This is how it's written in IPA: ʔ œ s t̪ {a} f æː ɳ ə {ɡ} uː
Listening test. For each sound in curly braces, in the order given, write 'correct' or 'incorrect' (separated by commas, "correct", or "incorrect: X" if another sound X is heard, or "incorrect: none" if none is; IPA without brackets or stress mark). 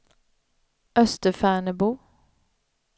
incorrect: ə, incorrect: b